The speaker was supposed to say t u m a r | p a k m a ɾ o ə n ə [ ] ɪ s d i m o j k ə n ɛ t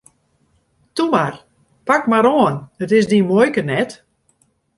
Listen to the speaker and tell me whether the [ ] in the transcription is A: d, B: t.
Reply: B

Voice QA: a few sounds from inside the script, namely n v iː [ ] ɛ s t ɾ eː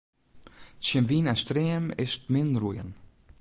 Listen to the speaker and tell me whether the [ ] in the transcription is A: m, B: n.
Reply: B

